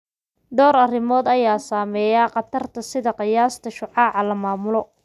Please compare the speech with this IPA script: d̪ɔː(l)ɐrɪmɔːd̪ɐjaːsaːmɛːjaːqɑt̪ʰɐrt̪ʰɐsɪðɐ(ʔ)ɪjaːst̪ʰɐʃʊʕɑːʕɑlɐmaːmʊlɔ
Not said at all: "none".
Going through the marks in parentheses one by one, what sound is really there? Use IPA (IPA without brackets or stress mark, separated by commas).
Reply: ɾ, q